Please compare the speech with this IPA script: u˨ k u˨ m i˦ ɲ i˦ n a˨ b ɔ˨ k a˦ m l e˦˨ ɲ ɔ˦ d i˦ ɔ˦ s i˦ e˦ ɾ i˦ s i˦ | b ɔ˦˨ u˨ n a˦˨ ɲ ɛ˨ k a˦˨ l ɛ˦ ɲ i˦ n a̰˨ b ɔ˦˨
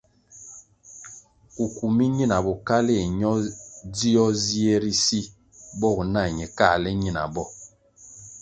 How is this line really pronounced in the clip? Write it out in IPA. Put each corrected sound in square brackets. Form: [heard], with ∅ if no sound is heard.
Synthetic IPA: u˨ k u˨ m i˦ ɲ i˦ n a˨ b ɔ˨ k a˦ [∅] l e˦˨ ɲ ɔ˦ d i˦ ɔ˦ [z] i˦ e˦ ɾ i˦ s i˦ | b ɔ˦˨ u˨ n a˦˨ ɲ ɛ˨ k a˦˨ l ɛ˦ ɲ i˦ n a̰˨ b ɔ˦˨

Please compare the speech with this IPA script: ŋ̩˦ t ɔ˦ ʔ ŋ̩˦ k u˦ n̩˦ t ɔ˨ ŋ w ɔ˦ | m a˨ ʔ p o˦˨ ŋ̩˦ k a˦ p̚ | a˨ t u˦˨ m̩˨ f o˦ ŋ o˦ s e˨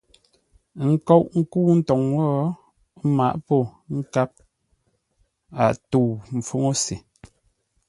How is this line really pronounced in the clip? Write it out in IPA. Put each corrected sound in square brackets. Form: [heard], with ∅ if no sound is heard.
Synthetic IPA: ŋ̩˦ [k] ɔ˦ ʔ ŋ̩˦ k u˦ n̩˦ t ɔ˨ ŋ w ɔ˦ | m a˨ ʔ p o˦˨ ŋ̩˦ k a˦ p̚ | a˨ t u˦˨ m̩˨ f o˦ ŋ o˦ s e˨

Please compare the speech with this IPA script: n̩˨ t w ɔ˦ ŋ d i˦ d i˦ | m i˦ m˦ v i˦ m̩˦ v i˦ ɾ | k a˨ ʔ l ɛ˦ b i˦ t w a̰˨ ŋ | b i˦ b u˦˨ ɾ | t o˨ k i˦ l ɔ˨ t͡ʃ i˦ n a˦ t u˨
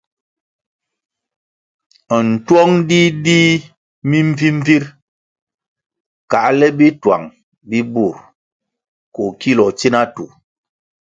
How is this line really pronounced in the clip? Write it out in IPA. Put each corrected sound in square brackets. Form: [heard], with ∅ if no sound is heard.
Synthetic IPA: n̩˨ t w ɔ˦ ŋ d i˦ d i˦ | m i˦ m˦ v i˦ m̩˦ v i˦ ɾ | k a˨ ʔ l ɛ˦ b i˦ t w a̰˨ ŋ | b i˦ b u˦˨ ɾ | [k] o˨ k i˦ l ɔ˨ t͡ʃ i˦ n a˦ t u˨

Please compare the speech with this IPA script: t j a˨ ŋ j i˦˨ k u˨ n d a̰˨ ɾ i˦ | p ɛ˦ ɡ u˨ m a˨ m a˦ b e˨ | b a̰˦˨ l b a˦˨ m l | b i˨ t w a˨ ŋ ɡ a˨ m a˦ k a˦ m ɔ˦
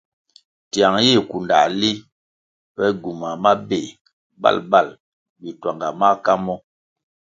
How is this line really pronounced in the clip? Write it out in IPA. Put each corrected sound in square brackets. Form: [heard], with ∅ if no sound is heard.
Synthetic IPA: t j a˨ ŋ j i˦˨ k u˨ n d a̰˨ [l] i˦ | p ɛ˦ ɡ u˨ m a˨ m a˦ b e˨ | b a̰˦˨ l b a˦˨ [∅] l | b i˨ t w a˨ ŋ ɡ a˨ m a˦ k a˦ m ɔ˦

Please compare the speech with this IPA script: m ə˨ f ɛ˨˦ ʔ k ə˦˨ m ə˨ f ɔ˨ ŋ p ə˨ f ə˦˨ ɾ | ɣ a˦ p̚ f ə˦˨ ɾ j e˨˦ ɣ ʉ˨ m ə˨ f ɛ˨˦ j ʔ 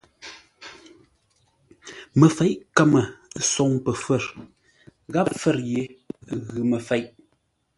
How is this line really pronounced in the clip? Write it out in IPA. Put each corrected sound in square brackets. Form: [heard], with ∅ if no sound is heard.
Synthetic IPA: m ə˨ f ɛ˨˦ ʔ k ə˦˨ m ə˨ [s] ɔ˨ ŋ p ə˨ f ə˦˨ ɾ | ɣ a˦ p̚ f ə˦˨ ɾ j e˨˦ ɣ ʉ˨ m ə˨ f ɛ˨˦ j ʔ

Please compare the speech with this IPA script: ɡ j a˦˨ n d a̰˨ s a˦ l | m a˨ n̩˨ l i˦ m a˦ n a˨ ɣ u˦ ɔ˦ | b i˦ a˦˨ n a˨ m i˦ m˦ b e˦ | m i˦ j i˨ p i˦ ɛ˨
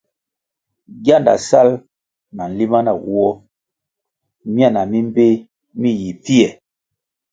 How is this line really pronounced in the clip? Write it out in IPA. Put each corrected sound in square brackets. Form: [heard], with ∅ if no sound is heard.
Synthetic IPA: ɡ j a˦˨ n d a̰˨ s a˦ l | [n] a˨ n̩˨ l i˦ m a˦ n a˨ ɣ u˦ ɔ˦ | [m] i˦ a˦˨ n a˨ m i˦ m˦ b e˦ | m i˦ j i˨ p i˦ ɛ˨

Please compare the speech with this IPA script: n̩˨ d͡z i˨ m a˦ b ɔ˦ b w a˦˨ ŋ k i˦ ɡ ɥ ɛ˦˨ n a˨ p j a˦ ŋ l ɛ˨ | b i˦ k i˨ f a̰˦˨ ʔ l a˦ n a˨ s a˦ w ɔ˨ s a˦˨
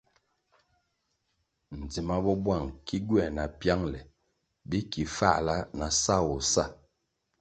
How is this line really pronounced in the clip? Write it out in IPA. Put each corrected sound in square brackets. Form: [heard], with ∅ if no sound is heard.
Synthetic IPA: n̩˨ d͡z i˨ m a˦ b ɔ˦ b w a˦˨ ŋ k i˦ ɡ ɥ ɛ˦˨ n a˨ p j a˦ ŋ l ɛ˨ | b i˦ k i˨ f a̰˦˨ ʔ l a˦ n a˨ s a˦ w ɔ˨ s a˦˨

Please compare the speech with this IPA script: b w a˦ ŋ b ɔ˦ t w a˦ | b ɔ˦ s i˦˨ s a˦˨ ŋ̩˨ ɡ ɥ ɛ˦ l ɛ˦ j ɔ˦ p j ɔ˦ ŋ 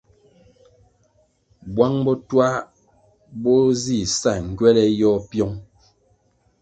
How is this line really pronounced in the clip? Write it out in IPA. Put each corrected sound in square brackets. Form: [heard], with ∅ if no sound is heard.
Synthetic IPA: b w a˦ ŋ b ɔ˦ t w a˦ | b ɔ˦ [z] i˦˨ s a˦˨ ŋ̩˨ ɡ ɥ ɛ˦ l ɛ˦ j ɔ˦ p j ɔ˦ ŋ

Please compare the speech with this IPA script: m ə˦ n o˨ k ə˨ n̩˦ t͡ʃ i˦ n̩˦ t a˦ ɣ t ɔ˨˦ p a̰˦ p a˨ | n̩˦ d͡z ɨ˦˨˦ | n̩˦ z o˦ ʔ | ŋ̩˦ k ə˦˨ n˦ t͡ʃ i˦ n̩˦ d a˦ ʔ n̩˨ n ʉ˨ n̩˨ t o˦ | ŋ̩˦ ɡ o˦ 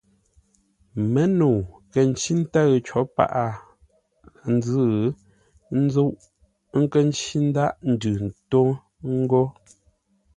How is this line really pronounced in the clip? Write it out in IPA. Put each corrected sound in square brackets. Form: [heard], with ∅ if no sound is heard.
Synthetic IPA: m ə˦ n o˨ k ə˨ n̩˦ t͡ʃ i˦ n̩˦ t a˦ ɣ [t͡ʃ] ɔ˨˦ p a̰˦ [ʔ] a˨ | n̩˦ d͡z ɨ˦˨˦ | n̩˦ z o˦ ʔ | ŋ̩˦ k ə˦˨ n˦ t͡ʃ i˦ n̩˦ d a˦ ʔ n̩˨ [d] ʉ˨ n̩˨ t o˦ | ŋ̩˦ ɡ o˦

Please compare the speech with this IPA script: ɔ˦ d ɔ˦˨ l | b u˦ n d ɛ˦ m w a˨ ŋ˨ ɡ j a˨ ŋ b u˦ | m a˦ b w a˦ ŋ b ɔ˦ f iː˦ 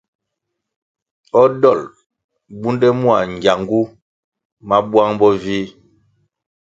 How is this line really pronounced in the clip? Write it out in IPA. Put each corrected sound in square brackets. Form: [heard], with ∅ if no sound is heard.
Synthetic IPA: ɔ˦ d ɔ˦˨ l | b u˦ n d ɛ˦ m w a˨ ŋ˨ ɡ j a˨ ŋ [ɡ] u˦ | m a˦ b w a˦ ŋ b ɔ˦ [v] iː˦

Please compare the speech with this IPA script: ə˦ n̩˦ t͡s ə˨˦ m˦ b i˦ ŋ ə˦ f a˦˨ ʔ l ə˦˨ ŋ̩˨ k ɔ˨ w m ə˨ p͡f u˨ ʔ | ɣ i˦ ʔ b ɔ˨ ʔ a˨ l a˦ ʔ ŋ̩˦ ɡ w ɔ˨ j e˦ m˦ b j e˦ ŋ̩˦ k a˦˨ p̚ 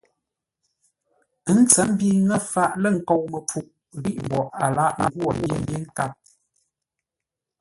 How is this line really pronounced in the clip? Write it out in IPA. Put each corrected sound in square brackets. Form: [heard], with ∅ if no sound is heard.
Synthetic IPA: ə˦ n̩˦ t͡s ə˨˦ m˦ b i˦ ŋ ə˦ f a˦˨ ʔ l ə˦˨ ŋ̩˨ k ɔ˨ w m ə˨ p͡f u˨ ʔ | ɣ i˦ ʔ b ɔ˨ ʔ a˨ l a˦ ʔ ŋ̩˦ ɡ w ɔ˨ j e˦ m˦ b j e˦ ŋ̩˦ k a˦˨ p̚

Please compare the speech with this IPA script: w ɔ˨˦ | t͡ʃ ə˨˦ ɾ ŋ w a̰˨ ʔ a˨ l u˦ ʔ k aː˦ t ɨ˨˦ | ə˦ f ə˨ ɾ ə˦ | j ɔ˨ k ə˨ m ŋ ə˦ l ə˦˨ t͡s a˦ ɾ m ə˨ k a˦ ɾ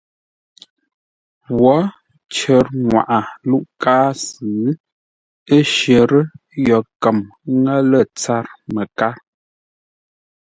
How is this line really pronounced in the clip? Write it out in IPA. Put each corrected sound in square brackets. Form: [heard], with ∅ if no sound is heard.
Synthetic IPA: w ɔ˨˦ | t͡ʃ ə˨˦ ɾ ŋ w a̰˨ ʔ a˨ l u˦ ʔ k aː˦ [s] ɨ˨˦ | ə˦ [ʃ] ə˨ ɾ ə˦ | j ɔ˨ k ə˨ m ŋ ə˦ l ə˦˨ t͡s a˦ ɾ m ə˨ k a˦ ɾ

